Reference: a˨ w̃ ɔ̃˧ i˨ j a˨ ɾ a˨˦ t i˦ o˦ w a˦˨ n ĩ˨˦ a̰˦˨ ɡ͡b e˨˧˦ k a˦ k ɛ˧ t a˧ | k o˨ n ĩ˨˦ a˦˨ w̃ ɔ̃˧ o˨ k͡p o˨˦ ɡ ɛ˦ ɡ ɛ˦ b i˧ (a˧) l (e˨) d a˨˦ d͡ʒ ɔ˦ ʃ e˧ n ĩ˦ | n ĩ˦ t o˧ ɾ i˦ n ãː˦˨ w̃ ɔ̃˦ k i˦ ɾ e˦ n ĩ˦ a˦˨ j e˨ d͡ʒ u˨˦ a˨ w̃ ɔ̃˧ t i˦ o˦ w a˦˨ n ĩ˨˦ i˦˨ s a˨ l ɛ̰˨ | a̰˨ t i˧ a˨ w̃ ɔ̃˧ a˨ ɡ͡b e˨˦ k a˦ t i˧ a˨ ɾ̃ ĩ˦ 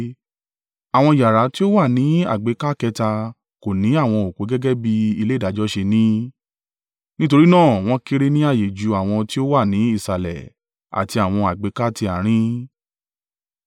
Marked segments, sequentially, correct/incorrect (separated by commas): incorrect, incorrect